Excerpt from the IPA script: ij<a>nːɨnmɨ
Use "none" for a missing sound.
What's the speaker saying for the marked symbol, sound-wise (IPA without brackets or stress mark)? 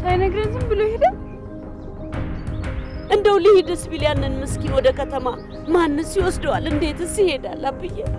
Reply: a